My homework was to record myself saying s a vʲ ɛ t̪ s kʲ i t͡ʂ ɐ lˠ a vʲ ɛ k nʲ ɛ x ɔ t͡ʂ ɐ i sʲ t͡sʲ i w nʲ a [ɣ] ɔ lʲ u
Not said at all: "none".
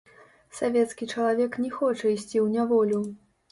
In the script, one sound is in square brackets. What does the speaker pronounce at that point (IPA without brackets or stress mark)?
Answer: v